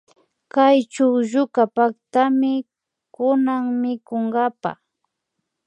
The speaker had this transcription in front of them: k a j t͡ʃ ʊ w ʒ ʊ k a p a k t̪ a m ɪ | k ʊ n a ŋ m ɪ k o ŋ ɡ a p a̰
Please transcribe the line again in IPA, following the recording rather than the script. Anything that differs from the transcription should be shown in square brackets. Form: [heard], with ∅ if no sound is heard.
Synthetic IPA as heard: k a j t͡ʃ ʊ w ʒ ʊ k a p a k t̪ a m ɪ | k ʊ n a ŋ m ɪ k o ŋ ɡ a p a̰